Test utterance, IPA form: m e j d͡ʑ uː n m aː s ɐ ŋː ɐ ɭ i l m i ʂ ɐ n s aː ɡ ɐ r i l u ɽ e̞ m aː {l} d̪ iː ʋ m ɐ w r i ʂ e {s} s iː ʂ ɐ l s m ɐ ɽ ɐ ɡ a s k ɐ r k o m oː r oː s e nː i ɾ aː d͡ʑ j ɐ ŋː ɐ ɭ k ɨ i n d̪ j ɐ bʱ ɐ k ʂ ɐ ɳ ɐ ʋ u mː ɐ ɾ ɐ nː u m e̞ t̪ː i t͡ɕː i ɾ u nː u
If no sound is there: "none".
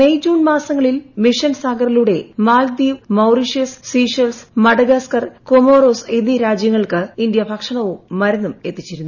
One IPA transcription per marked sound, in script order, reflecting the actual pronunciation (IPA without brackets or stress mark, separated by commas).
l, s